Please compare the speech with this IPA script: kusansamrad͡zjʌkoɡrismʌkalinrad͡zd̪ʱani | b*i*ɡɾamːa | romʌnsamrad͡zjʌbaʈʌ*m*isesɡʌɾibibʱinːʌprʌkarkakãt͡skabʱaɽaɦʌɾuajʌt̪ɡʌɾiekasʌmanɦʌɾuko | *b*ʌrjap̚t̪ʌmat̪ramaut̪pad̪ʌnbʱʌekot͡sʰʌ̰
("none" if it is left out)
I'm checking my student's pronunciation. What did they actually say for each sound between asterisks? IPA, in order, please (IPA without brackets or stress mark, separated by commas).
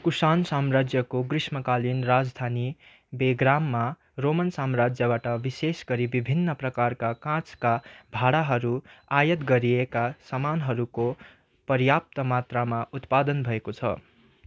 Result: e, b, p